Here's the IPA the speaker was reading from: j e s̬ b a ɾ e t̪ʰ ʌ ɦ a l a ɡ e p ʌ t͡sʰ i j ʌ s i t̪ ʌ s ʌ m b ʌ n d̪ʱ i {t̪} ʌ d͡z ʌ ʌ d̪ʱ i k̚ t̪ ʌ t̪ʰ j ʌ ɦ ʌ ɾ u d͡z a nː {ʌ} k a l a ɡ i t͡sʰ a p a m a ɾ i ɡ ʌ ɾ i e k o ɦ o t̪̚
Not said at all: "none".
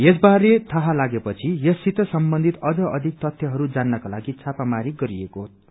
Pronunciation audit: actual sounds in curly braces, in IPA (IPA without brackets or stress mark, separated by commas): t̪, ʌ